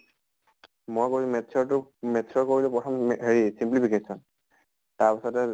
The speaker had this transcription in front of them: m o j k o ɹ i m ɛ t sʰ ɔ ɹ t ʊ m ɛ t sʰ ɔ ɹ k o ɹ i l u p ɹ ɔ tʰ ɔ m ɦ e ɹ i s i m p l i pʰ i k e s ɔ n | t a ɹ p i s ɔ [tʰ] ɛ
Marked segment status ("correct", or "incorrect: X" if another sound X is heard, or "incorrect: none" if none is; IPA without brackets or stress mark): incorrect: t